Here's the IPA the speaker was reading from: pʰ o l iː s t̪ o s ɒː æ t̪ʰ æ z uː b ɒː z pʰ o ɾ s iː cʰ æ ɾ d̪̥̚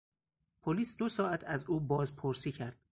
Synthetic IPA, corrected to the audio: pʰ o l iː s d̪ o s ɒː æ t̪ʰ æ z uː b ɒː z pʰ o ɾ s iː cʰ æ ɾ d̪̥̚